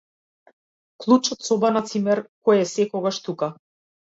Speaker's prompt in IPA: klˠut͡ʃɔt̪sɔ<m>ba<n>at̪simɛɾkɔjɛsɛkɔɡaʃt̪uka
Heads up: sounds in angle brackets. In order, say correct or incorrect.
incorrect: none, correct

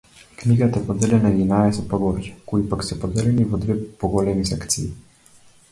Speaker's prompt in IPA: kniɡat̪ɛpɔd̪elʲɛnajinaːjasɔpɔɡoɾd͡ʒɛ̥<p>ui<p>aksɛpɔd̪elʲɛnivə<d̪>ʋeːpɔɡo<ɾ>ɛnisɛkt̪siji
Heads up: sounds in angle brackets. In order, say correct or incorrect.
incorrect: k, correct, correct, incorrect: l

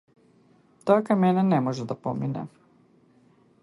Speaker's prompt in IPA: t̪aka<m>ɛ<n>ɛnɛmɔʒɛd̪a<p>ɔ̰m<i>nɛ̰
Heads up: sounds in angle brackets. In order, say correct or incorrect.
correct, correct, correct, correct

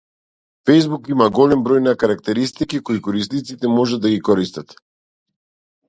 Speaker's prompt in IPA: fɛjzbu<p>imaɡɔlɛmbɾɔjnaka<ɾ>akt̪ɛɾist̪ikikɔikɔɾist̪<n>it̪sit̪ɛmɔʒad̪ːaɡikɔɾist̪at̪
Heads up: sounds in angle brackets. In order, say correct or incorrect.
incorrect: k, correct, correct

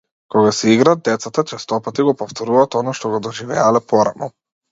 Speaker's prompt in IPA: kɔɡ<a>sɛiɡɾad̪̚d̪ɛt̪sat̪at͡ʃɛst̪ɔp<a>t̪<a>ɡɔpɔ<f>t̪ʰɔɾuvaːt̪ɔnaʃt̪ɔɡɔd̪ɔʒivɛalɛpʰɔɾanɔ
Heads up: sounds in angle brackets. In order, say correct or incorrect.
correct, correct, incorrect: i, correct

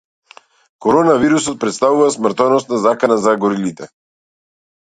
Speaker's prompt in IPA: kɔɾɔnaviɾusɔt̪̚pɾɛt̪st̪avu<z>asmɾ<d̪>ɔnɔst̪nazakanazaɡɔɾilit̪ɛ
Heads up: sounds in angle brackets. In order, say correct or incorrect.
incorrect: v, incorrect: t̪

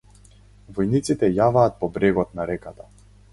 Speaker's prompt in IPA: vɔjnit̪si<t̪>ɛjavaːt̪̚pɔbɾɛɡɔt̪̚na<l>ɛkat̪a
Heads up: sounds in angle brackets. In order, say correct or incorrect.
correct, incorrect: ɾ

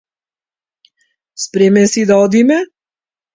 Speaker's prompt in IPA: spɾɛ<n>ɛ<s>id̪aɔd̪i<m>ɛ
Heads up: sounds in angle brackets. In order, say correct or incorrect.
incorrect: m, correct, correct

